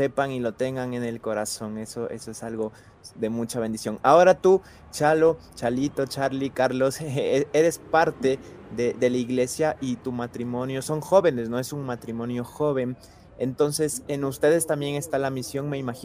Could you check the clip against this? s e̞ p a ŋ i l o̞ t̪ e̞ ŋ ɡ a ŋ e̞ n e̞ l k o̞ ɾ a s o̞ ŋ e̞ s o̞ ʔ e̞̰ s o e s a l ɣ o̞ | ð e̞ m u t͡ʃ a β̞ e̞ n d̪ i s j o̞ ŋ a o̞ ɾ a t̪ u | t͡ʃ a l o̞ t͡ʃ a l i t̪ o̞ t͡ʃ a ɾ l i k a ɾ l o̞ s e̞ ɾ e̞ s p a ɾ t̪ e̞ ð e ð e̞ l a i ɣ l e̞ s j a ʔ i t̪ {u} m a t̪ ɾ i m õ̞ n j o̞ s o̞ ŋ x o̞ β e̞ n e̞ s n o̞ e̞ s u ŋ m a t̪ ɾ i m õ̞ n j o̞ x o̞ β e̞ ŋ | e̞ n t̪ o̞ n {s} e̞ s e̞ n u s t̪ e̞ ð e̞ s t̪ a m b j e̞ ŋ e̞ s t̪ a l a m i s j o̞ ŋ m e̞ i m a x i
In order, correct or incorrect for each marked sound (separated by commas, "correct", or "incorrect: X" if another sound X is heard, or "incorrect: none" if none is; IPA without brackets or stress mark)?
correct, correct